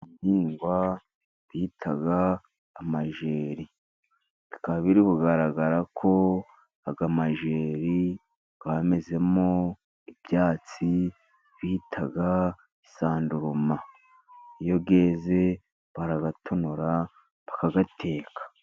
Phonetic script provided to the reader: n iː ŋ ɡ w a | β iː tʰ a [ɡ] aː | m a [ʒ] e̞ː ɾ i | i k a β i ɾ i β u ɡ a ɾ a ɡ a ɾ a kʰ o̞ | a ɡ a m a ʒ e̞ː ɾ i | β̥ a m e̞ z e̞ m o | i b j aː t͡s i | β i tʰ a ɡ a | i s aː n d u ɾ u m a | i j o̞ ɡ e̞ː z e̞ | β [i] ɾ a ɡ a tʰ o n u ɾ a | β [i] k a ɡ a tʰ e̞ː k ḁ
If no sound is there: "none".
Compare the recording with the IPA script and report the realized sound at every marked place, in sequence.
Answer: ɡ, ʒ, a, a

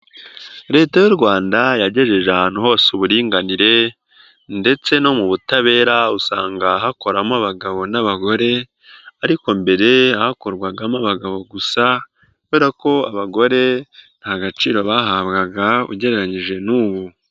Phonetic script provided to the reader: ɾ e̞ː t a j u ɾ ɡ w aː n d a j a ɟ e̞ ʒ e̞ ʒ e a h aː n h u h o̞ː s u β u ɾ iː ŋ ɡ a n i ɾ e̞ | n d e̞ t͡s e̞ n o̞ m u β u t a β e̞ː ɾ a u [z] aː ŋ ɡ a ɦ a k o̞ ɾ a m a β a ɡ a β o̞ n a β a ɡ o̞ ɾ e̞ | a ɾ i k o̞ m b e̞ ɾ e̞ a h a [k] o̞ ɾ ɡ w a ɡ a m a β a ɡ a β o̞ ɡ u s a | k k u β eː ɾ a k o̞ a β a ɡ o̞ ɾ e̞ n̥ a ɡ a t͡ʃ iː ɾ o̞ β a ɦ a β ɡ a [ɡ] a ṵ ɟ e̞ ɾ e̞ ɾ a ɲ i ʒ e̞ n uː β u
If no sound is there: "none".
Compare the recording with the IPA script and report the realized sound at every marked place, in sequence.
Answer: s, k, ɡ

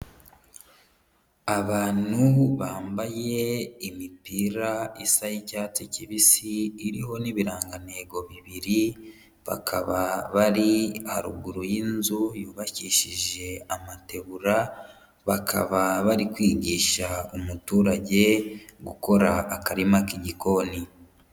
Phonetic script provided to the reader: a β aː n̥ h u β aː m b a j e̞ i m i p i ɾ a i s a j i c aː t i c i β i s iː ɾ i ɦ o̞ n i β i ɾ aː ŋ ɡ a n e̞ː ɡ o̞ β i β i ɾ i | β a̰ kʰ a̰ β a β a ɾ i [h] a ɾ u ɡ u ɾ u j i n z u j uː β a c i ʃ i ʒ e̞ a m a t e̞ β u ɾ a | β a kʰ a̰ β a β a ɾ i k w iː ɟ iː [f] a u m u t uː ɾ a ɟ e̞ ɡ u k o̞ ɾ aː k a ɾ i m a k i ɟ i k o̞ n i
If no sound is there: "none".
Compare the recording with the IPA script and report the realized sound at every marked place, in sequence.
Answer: h, ʃ

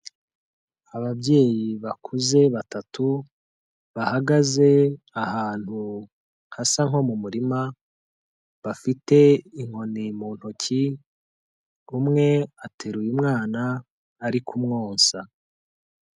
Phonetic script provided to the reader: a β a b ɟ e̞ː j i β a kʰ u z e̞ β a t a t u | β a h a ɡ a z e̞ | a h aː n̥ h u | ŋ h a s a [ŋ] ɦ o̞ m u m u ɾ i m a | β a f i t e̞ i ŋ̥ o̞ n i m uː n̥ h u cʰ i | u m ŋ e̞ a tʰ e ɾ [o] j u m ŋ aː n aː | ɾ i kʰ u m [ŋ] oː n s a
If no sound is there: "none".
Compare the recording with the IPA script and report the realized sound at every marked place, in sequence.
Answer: ŋ, u, ŋ

